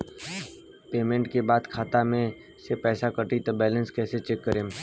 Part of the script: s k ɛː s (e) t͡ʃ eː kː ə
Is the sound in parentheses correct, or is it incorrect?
correct